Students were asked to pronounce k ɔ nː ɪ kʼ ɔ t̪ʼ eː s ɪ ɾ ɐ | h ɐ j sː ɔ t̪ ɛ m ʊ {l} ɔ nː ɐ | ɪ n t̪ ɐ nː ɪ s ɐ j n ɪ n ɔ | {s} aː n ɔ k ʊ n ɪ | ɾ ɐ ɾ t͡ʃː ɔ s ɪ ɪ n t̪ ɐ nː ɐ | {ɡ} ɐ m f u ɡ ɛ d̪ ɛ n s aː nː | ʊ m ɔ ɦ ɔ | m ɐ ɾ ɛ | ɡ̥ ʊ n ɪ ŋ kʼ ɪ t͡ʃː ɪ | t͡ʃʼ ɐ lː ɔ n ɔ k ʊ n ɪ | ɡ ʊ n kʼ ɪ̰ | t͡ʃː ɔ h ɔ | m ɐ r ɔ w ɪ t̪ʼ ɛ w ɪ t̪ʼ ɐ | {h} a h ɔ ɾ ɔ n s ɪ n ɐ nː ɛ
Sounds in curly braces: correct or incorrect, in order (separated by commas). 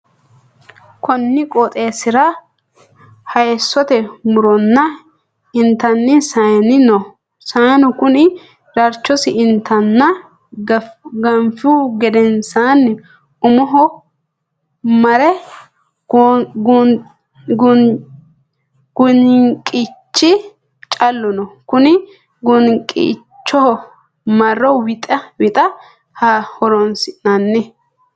incorrect, correct, correct, correct